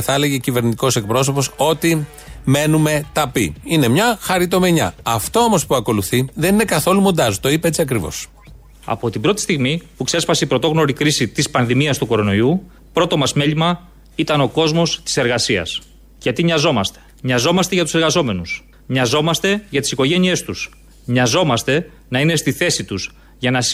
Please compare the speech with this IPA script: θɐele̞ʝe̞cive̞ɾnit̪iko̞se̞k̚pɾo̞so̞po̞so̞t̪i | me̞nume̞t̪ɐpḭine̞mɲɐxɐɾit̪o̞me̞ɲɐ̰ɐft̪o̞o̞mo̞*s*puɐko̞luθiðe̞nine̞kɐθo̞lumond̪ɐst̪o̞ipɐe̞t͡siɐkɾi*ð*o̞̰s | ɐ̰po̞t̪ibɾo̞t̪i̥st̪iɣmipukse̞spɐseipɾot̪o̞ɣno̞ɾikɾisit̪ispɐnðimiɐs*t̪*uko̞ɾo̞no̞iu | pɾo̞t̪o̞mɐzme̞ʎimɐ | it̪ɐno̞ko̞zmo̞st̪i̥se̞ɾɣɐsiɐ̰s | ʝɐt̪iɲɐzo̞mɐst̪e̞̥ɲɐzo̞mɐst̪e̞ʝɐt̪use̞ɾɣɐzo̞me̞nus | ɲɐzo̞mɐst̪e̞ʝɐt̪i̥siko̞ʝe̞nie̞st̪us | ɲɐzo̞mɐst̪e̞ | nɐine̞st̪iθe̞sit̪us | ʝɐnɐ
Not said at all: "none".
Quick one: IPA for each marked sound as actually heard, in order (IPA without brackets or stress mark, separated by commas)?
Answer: s, v, t̪